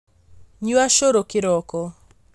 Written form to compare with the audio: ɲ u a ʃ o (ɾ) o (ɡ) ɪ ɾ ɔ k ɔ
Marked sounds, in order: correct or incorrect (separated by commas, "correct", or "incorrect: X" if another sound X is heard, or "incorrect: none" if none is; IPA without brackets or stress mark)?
correct, incorrect: k